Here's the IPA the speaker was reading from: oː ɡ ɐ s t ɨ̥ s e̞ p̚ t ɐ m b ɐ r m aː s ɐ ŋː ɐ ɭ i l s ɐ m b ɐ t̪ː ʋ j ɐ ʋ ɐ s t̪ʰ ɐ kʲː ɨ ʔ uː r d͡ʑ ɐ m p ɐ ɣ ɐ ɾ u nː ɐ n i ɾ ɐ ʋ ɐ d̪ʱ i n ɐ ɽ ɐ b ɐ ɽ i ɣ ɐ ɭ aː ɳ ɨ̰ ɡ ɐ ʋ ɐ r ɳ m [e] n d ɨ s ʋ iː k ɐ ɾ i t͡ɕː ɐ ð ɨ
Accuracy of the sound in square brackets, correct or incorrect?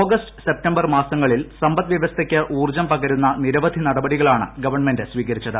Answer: correct